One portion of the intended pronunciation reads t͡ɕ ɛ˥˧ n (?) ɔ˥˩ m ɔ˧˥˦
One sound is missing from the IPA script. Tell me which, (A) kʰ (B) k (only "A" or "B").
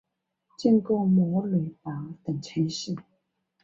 B